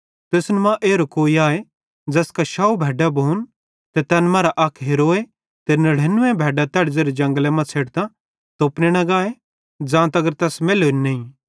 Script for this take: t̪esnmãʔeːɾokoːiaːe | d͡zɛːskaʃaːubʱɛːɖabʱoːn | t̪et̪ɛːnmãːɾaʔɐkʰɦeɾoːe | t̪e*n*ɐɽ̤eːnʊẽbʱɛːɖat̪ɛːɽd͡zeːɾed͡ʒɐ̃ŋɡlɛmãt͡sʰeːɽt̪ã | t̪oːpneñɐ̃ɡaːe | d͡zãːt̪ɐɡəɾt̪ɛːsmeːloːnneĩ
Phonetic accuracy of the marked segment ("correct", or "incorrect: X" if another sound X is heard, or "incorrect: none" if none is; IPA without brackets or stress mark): correct